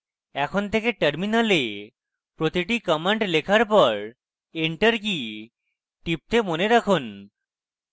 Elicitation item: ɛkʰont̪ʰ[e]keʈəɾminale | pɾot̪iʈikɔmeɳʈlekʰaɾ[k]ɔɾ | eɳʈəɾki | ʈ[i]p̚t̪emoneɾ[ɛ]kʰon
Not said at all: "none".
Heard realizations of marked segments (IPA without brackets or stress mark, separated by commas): e, p, i, a